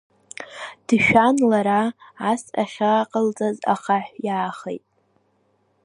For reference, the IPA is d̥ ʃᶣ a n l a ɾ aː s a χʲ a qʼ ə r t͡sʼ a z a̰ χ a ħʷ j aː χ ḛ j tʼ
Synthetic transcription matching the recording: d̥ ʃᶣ a n l a ɾ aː s a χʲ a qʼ ə l t͡sʼ a z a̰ χ a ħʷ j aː χ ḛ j tʼ